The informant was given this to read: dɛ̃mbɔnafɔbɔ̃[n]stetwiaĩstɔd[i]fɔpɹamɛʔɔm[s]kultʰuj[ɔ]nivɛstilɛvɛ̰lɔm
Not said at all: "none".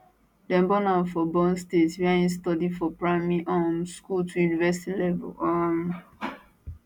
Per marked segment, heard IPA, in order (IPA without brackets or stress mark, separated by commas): n, i, s, u